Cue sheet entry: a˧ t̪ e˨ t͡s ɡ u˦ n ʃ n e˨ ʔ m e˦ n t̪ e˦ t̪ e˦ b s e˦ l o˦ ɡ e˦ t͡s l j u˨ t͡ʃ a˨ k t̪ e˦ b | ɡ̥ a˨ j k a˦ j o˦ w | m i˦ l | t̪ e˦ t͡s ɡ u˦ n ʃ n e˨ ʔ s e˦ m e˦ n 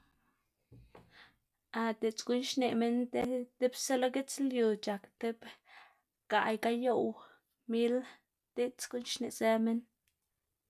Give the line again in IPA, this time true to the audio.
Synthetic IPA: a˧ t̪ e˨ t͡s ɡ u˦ n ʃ n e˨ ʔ m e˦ n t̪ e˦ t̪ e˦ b s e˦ l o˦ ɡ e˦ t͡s l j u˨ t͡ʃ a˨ k t̪ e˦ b | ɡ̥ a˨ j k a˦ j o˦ w | m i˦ l | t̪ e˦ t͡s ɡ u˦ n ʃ n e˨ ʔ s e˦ m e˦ n